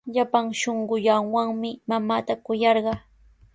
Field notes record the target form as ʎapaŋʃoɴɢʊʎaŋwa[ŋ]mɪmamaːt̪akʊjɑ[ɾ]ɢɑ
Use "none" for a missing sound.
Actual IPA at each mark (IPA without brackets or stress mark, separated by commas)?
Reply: ŋ, ɾ